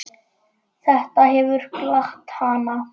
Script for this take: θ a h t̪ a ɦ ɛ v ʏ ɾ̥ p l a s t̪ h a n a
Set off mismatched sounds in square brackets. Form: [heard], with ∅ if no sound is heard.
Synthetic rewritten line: θ [ɛ] h t̪ a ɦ ɛ v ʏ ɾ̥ [k] l a [x] t̪ h a n a